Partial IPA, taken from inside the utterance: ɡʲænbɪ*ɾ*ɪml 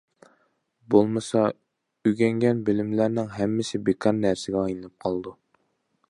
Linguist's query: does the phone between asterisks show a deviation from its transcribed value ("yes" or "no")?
yes